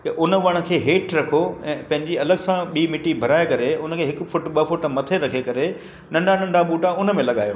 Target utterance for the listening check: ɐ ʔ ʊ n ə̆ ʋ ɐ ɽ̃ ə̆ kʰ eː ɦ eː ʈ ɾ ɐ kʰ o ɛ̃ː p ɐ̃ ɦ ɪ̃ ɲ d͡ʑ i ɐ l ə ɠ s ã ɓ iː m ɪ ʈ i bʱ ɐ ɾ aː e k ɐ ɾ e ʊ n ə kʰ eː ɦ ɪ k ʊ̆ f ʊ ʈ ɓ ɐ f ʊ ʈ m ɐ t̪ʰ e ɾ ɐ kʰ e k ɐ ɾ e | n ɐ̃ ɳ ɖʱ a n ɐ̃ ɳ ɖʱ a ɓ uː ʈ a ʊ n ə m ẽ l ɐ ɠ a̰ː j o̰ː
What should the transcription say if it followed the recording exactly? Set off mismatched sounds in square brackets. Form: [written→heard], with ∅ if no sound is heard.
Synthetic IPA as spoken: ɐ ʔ ʊ n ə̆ ʋ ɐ ɽ̃ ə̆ kʰ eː ɦ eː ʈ ɾ ɐ kʰ o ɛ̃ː p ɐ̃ ɦ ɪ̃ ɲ d͡ʑ i ɐ l ə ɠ s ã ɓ iː m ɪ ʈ i bʱ ɐ ɾ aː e k ɐ ɾ e ʊ n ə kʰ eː ɦ ɪ k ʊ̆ f ʊ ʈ ɓ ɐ f ʊ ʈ m ɐ t̪ʰ e ɾ ɐ kʰ e k ɐ ɾ e | n ɐ̃ ɳ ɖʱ a n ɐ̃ ɳ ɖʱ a ɓ uː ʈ a ʊ n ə m ẽ l ɐ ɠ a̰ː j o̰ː